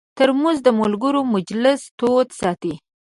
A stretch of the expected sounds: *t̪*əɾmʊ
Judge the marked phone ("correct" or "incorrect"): correct